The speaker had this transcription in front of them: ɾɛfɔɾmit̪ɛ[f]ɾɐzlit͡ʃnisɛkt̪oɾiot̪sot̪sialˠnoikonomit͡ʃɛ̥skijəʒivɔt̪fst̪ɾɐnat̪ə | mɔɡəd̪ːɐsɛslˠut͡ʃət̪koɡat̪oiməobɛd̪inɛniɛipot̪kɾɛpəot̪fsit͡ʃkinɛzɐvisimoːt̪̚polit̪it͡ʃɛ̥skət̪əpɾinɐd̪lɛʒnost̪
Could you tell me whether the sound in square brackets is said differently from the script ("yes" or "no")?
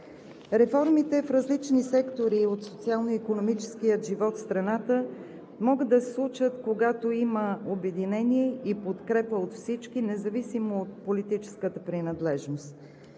no